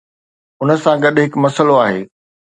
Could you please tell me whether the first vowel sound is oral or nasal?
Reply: oral